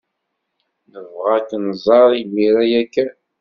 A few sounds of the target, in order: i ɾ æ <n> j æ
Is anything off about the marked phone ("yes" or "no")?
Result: yes